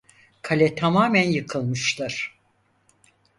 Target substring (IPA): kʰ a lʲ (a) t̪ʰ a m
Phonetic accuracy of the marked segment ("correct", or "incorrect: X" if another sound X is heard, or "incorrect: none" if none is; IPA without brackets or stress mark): incorrect: ɛ